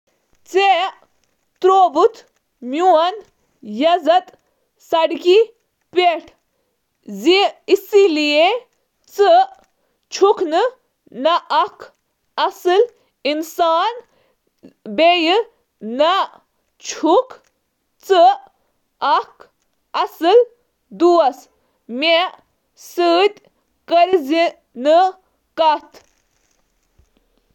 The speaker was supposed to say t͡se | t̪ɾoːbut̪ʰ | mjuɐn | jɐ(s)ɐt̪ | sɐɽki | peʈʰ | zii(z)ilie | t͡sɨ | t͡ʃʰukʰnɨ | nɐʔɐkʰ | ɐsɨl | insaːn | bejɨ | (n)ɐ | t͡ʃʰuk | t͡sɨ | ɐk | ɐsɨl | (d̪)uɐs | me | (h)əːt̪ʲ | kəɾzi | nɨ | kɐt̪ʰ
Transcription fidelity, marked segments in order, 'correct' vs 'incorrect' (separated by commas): incorrect, incorrect, correct, correct, incorrect